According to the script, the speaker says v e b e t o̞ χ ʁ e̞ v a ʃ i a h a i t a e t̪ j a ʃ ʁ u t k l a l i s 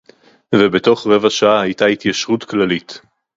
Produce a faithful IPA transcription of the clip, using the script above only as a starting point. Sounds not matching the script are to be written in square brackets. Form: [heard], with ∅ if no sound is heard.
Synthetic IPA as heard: v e b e t o̞ χ ʁ e̞ v a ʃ [a] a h a [j] t a [i] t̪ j a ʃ ʁ u t k l a l i [t]

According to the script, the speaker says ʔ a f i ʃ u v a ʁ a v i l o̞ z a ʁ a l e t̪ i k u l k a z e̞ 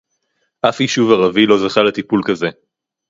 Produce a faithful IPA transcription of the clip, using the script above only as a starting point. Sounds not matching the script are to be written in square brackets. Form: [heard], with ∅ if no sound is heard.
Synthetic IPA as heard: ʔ a f i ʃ u v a ʁ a v i l o̞ z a [χ] a l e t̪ i [p] u l k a z e̞

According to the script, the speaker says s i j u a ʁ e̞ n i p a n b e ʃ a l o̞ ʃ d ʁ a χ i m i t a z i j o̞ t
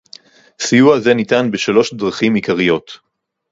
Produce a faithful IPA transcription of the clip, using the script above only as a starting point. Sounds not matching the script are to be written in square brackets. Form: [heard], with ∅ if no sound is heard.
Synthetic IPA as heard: s i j u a [z] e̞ n i [t] a n b e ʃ a l o̞ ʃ d ʁ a χ i m i [k] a [ʁ] i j o̞ t

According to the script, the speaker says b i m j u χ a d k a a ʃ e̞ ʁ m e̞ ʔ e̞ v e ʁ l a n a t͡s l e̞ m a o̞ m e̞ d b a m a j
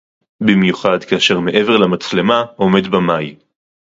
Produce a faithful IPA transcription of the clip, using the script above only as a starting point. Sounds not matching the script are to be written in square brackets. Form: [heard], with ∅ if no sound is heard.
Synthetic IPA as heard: b i m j u χ a d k a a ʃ e̞ ʁ m e̞ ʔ e̞ v e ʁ l a [m] a t͡s l e̞ m a o̞ m e̞ d b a m a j

